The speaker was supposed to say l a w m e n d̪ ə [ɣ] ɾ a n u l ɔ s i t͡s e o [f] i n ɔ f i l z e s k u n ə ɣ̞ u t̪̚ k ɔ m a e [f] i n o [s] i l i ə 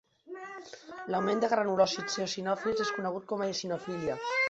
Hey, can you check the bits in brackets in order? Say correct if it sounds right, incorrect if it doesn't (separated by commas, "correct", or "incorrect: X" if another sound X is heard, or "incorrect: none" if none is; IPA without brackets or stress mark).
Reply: correct, incorrect: s, incorrect: s, incorrect: f